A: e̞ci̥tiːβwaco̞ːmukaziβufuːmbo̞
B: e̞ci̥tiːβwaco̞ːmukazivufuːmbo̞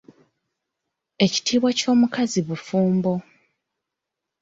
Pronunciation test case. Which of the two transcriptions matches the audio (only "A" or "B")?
A